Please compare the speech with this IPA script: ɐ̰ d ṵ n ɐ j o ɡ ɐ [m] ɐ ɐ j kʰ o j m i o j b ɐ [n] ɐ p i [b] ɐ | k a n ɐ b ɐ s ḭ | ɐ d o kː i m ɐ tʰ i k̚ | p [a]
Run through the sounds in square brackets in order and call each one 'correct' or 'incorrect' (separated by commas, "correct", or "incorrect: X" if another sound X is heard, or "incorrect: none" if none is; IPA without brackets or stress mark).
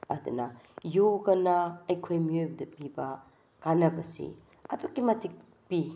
incorrect: n, incorrect: d, correct, incorrect: i